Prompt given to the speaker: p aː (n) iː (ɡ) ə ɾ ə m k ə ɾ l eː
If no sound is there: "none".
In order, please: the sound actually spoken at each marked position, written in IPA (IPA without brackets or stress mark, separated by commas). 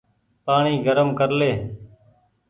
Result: ɳ, ɡ